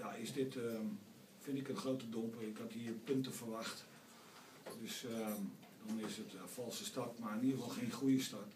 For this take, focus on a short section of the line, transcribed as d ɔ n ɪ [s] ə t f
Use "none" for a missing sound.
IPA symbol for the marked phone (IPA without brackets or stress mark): s